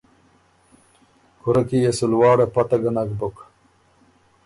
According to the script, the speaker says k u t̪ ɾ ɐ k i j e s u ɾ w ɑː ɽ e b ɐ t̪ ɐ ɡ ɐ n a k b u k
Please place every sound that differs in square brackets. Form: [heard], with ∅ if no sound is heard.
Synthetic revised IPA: k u [∅] ɾ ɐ k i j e s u [l] w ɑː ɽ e [p] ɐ t̪ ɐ ɡ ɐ n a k b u k